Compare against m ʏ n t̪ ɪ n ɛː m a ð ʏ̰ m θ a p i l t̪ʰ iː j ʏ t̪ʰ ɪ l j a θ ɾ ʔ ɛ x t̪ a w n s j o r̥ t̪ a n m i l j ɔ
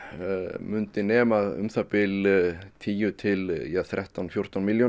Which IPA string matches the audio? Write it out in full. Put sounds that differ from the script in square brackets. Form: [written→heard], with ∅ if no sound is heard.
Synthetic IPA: m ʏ n t̪ ɪ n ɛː m a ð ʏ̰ m θ a p [i→ɪ] l t̪ʰ iː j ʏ t̪ʰ ɪ l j a θ ɾ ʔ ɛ [x→h] t̪ a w n [s→f] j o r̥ t̪ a n m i l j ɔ

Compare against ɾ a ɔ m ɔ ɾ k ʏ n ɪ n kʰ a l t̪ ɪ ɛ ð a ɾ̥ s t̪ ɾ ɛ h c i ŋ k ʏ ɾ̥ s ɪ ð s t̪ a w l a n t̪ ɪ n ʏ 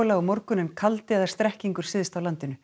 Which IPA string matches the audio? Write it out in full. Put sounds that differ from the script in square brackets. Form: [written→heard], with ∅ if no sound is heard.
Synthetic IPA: [ɾ→l] a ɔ m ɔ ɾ k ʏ n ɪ n kʰ a l t̪ ɪ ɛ ð a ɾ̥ s t̪ ɾ ɛ h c i ŋ k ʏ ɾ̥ s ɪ ð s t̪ a w l a n t̪ ɪ n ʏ

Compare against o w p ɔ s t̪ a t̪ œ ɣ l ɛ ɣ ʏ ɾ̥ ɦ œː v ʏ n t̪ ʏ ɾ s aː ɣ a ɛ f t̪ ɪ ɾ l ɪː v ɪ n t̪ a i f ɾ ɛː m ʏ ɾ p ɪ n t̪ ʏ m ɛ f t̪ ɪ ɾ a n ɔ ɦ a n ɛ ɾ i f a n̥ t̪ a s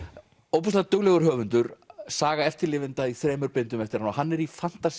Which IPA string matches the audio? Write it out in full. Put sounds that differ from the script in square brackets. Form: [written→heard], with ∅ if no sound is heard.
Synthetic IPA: o w p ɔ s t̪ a t̪ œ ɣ l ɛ ɣ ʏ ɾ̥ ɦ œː v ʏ n t̪ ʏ ɾ s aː ɣ a ɛ f t̪ ɪ ɾ l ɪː v ɪ n t̪ a i [f→θ] ɾ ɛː m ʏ ɾ p ɪ n t̪ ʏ m ɛ f t̪ ɪ ɾ a n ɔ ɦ a [n→nː] ɛ ɾ i f a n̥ t̪ a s

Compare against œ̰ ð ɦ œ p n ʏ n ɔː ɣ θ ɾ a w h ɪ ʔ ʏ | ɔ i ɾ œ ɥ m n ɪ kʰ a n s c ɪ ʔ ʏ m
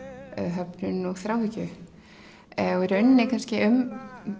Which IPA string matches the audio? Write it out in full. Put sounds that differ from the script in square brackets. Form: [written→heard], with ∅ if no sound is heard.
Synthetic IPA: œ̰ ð ɦ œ p n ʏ n [ɔː→ɔ] ɣ θ ɾ a w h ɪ [ʔ→c] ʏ | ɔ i ɾ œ ɥ [m→n] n ɪ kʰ a n s c ɪ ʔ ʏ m

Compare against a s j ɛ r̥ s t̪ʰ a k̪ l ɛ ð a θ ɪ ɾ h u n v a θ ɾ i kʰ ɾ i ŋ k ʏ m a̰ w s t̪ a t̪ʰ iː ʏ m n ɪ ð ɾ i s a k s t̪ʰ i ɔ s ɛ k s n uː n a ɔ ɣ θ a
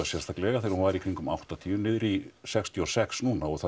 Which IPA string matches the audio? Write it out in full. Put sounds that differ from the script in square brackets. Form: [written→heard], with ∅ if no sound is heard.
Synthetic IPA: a s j ɛ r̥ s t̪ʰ a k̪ l ɛ [ð→ɣ] a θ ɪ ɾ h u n v a [θ→∅] ɾ i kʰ ɾ i ŋ k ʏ m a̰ w [s→h] t̪ a t̪ʰ iː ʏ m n ɪ ð ɾ i s [a→ɛ] k s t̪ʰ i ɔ s ɛ k s n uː n a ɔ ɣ θ a

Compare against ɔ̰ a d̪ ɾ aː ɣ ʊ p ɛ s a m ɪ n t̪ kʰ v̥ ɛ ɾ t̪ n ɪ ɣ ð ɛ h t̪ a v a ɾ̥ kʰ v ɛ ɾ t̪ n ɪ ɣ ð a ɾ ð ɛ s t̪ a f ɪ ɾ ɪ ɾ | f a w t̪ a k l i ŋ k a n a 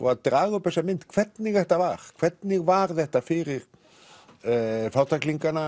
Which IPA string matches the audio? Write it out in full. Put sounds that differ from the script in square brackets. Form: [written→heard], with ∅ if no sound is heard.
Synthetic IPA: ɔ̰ a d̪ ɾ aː ɣ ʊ p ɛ s a m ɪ n t̪ kʰ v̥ ɛ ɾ t̪ n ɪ ɣ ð ɛ h t̪ a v a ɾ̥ kʰ v ɛ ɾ t̪ n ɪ ɣ [ð→v] a ɾ ð ɛ [s→h] t̪ a f ɪ ɾ ɪ ɾ | f a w t̪ a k l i ŋ k a n a

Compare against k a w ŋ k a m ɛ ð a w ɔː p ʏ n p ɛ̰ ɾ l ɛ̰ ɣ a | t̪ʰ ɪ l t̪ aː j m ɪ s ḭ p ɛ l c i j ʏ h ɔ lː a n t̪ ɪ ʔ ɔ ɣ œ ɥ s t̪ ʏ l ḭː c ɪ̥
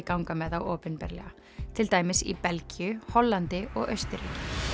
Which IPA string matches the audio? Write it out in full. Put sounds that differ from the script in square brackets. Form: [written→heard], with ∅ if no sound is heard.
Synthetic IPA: k a w ŋ k a m ɛ ð a w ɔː p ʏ n p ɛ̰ ɾ l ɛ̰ ɣ a | t̪ʰ ɪ l t̪ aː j m ɪ s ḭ p ɛ l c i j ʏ h ɔ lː a n t̪ ɪ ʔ ɔ ɣ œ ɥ s t̪ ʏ [l→ɾ] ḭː c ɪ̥

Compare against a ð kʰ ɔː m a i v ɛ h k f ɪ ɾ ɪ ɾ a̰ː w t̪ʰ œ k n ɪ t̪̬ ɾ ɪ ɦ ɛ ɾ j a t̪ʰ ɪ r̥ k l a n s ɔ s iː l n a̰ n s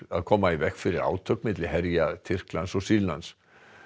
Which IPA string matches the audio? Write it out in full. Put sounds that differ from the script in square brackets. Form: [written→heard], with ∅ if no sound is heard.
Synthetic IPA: a ð kʰ ɔː m a i v ɛ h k f ɪ ɾ ɪ ɾ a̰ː w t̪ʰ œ k [n→m] ɪ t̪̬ [ɾ→l] ɪ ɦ ɛ ɾ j a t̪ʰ ɪ r̥ k l a n s ɔ s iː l n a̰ n s

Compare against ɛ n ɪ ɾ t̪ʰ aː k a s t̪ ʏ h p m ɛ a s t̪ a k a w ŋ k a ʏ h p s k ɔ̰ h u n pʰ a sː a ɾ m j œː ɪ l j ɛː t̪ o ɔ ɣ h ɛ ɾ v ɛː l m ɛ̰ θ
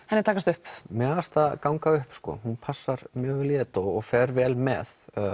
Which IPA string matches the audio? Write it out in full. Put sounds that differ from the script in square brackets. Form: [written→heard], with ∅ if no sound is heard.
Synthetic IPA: ɛ n ɪ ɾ t̪ʰ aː k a s t̪ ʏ h p m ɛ a s t̪ a k a w ŋ k a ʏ h p s k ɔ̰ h u n pʰ a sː a ɾ m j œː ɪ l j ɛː t̪ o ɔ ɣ [h→f] ɛ ɾ v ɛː l m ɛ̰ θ

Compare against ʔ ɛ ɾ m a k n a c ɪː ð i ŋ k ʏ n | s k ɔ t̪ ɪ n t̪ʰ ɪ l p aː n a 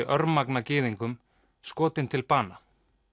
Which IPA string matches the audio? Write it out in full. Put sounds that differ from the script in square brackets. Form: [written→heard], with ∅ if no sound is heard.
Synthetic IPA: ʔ [ɛ→œ] ɾ m a k n a c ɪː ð i ŋ k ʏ [n→m] | s k [ɔ→ɔː] t̪ ɪ n t̪ʰ ɪ l p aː n a

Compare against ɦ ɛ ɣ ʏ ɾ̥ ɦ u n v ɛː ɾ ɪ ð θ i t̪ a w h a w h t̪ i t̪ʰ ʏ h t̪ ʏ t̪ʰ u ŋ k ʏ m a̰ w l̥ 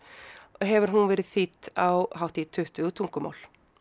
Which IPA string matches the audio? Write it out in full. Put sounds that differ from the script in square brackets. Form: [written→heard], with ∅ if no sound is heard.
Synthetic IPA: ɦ ɛ [ɣ→v] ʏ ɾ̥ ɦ u n v ɛː ɾ ɪ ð θ i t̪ a w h a w h t̪ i t̪ʰ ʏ h t̪ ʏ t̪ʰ u ŋ k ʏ m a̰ w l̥

